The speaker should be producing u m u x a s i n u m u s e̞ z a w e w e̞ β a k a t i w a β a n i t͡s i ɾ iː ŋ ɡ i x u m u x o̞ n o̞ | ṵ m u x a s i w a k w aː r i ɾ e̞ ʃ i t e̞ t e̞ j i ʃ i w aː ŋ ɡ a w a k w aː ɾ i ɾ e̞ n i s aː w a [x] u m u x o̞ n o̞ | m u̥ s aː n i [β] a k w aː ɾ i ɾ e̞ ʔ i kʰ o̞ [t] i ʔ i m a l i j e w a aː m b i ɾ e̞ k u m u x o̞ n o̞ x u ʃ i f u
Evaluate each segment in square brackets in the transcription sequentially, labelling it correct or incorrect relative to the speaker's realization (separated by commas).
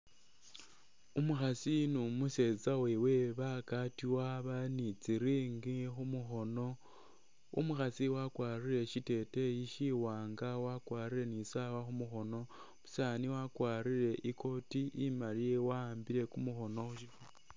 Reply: correct, incorrect, correct